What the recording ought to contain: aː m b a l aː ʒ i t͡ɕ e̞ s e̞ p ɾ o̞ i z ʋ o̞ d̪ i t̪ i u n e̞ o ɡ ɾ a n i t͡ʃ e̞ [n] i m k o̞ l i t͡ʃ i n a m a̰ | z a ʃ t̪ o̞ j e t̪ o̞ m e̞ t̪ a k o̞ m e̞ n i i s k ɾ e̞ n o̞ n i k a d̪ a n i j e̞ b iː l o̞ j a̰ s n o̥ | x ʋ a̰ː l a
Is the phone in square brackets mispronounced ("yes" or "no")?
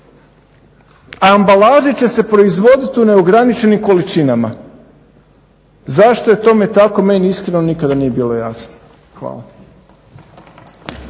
no